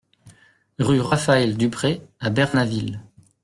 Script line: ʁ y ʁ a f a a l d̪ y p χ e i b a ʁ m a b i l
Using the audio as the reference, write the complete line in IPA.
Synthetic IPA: ʁ y ʁ a f a ɛ l d̪ y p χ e a b ɛ ʁ n a v i l